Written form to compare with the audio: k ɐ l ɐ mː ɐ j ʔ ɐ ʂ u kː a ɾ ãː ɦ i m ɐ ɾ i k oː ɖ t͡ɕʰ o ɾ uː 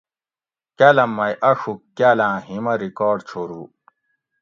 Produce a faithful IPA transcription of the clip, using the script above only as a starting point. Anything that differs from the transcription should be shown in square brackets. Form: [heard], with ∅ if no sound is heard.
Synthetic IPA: k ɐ l ɐ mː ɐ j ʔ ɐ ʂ u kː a [l] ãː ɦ i m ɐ ɾ i k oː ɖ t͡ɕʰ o ɾ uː